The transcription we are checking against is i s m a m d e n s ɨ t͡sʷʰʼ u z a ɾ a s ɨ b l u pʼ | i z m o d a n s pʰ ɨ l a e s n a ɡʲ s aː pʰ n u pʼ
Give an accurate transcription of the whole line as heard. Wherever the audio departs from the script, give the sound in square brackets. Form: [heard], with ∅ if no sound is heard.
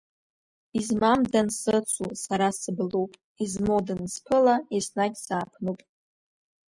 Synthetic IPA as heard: i [z] m a m d [a] n s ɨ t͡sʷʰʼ u [s] a ɾ a s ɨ b l u pʼ | i z m o d a n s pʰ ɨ l a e s n a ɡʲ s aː pʰ n u pʼ

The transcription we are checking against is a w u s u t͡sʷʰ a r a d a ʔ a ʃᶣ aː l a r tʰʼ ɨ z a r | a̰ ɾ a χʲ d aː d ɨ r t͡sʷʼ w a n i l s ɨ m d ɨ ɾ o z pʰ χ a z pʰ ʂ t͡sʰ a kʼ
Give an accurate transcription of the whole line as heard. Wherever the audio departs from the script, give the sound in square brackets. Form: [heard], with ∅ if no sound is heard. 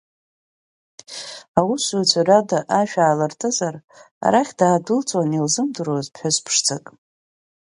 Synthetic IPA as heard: a w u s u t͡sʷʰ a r a d a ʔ a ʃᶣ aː l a r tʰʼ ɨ z a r | a̰ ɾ a χʲ d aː d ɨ [l] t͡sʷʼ w a n i l [z] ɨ m d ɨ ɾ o z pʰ [ħ] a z pʰ ʂ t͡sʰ a kʼ

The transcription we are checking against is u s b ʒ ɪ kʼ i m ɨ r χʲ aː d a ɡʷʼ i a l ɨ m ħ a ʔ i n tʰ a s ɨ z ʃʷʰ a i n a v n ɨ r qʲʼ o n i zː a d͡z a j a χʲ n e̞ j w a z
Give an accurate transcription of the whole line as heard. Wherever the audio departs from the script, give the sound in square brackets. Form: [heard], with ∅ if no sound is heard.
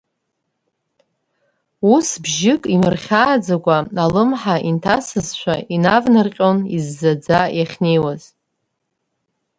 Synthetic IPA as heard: u s b ʒ ɪ kʼ i m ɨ r χʲ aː [d͡z] a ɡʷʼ [a] a l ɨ m ħ a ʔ i n tʰ a s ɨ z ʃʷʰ a i n a v n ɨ r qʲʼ o n i zː a d͡z a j a χʲ n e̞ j w a z

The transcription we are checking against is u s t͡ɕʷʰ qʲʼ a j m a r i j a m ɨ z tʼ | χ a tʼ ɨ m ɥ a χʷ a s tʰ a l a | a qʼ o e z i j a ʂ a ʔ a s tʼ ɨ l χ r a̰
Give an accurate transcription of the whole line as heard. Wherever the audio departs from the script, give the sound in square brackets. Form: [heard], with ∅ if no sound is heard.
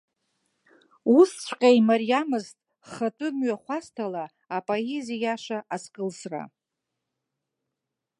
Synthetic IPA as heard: u s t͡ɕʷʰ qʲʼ a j m a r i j a m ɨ z tʼ | χ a tʼ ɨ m ɥ a χʷ a s tʰ a l a | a [pʼ] o e z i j a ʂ a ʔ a s [kʼ] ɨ l [s] r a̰

